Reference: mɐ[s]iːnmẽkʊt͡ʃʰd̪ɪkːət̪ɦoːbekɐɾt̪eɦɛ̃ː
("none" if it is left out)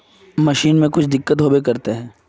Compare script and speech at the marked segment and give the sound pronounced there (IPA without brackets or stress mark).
ʃ